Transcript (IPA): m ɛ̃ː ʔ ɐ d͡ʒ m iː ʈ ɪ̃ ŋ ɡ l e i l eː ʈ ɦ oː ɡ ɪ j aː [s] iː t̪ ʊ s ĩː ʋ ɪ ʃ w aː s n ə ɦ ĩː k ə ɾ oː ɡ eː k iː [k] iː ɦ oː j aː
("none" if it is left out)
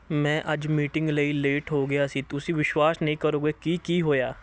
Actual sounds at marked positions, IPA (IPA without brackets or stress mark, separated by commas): s, k